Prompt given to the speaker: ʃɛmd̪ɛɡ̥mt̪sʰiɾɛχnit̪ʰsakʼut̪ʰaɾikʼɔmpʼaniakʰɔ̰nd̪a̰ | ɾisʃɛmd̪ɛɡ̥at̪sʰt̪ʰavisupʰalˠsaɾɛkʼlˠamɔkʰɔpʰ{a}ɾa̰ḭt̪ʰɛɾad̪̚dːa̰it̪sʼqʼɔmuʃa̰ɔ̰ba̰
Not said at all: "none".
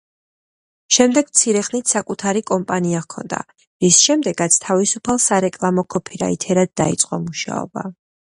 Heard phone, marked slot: i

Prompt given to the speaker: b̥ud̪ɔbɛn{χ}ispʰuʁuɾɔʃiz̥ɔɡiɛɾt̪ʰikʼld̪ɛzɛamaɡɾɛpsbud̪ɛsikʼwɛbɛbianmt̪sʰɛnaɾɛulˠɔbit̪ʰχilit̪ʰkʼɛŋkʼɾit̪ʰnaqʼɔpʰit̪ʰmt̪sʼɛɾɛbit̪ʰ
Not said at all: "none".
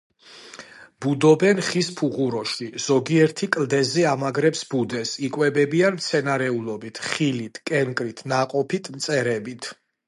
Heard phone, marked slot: χ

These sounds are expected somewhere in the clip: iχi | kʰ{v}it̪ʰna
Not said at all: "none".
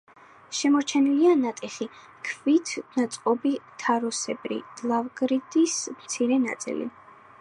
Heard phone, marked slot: v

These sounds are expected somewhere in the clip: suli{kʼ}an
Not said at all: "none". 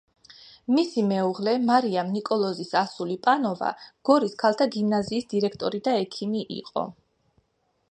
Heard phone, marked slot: pʼ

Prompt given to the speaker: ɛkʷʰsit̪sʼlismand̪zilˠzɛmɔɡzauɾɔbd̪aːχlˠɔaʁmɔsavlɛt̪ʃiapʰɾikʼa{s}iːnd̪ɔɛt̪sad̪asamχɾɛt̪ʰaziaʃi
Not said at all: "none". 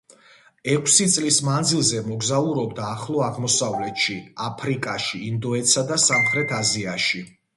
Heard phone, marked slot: ʃ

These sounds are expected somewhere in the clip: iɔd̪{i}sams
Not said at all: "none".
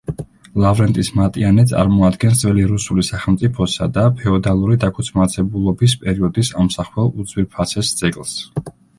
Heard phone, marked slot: i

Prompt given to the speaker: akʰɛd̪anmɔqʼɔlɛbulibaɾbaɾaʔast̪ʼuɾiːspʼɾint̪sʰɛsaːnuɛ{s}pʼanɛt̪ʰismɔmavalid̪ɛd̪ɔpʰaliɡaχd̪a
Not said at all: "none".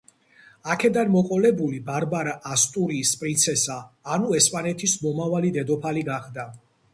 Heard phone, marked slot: s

